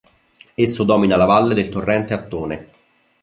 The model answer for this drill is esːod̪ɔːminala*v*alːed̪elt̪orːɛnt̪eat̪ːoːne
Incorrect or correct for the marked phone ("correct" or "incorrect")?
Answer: correct